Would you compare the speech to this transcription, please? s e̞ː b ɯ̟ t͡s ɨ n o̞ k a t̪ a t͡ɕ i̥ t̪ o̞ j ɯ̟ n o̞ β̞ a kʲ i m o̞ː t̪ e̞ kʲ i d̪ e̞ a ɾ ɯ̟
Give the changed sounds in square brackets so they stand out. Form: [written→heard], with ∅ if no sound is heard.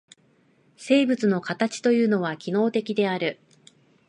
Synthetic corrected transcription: s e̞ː b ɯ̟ t͡s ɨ n o̞ k a t̪ a t͡ɕ i̥ t̪ o̞ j [ɯ̟→ɯ̟ː] n o̞ β̞ a kʲ i [m→n] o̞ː t̪ e̞ kʲ i d̪ e̞ a ɾ ɯ̟